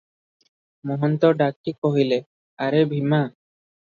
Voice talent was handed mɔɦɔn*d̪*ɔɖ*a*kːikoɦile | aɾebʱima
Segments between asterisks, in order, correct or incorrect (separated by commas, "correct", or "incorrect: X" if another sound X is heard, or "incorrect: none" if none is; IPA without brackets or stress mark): incorrect: t̪, correct